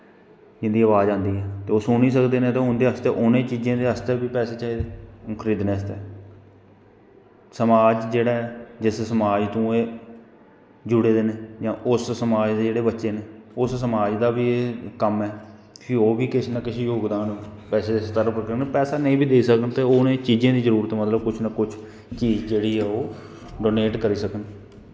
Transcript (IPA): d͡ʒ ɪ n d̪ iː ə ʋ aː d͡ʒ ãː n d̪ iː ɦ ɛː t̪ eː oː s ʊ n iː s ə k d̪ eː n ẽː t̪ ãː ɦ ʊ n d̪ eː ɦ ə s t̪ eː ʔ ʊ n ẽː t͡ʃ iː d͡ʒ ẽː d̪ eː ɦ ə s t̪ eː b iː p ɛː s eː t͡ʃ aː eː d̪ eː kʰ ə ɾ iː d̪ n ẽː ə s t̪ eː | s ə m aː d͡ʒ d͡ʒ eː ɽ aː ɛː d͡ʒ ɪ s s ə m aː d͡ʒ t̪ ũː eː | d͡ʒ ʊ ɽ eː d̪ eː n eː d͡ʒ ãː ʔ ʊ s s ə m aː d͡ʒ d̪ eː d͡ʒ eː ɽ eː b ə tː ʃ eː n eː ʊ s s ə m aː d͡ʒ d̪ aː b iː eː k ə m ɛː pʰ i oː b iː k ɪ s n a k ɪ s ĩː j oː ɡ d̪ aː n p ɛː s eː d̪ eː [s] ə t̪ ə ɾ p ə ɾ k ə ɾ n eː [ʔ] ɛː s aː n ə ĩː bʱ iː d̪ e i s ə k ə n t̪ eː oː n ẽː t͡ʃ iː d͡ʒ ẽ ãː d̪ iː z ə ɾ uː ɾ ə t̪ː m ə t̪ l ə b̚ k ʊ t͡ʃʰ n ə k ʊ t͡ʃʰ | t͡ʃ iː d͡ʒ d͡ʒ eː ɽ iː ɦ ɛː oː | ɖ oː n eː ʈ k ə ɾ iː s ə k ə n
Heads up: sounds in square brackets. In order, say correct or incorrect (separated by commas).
correct, incorrect